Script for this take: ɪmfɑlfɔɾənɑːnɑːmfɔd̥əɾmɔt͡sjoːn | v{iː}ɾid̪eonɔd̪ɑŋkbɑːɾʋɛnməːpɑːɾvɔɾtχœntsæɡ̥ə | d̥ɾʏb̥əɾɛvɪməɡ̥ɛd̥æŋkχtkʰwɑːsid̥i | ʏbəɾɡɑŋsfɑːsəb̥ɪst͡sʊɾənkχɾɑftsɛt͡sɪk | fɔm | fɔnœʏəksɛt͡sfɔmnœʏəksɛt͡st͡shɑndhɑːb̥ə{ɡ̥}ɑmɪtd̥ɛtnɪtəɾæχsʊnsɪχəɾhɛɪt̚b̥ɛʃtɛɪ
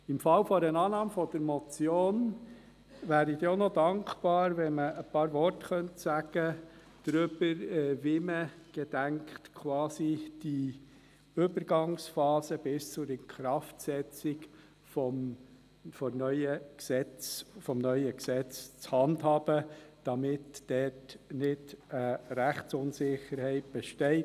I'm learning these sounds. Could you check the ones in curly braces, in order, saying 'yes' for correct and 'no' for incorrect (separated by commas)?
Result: no, no